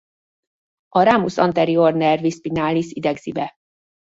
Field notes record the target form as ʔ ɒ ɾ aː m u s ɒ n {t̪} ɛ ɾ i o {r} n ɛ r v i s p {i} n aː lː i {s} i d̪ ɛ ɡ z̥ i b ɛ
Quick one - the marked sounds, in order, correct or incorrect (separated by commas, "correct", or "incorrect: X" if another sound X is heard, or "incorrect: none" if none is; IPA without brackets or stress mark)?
correct, correct, correct, correct